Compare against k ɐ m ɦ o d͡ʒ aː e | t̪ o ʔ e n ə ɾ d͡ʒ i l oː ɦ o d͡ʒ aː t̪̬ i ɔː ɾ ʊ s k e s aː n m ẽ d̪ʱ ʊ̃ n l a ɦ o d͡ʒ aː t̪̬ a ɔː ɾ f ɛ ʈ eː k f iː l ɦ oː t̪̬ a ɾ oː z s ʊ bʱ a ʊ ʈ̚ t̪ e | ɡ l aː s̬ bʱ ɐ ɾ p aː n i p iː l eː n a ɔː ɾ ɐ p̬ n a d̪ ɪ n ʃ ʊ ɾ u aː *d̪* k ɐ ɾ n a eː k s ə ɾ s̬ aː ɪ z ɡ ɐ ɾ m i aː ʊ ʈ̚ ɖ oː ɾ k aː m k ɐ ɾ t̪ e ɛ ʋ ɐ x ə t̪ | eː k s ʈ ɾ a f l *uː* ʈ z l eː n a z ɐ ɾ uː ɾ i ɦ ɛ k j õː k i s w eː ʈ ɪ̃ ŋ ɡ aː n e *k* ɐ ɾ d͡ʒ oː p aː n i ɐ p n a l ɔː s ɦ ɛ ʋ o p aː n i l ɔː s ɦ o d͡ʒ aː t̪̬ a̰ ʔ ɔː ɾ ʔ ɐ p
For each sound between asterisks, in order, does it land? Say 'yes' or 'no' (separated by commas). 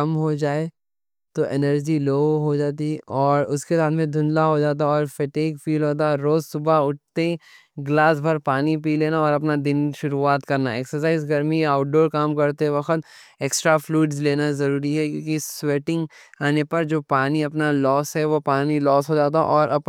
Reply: no, yes, no